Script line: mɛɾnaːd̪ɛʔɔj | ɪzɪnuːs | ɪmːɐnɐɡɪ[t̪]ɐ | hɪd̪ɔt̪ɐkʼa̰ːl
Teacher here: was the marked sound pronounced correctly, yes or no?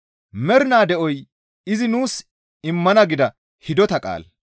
no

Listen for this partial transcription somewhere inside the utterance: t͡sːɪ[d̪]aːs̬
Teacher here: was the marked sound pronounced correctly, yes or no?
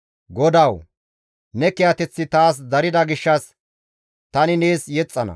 no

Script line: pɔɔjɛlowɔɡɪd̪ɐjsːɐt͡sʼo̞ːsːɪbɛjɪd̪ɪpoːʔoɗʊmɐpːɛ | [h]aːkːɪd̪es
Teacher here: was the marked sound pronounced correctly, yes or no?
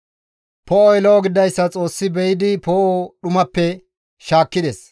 no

